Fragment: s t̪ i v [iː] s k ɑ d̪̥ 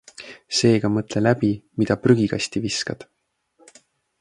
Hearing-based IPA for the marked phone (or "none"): i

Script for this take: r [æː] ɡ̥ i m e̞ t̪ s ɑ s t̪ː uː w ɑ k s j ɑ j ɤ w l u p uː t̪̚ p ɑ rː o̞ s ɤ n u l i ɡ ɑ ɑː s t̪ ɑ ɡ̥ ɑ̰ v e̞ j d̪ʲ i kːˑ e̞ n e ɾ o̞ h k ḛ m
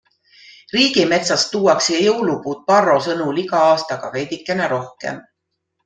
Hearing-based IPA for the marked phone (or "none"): iː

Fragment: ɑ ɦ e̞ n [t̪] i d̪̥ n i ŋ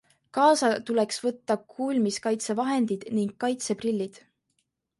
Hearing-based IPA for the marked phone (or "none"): d̪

